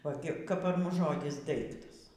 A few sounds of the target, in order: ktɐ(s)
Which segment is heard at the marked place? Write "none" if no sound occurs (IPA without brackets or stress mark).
s